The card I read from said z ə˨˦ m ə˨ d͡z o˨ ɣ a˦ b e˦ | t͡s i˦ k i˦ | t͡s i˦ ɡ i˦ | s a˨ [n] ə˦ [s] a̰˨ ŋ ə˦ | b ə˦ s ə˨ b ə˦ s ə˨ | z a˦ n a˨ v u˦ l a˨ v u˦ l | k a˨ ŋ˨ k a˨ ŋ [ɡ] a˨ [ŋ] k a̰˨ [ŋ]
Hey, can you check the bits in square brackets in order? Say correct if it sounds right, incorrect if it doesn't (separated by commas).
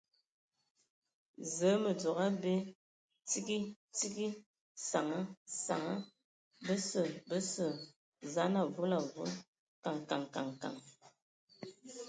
incorrect, correct, incorrect, correct, correct